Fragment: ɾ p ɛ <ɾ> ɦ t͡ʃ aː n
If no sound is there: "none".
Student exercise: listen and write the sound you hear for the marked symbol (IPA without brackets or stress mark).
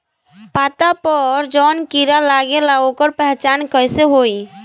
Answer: none